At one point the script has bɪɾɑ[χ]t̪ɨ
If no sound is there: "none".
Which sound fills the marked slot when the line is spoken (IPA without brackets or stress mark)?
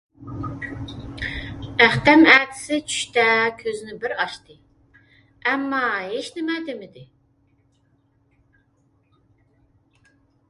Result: ʃ